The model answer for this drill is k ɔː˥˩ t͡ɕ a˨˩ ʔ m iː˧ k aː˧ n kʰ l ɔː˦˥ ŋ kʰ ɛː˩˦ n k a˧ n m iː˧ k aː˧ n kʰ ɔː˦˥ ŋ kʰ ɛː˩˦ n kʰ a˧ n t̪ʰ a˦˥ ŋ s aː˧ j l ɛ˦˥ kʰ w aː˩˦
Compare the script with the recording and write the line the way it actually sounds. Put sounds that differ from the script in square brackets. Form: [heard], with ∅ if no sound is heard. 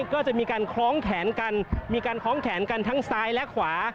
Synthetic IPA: k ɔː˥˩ t͡ɕ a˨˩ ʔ m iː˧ k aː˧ n kʰ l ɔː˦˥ ŋ kʰ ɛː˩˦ n k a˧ n m iː˧ k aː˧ n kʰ ɔː˦˥ ŋ kʰ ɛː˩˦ n [k] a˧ n t̪ʰ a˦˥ ŋ s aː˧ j l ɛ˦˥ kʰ w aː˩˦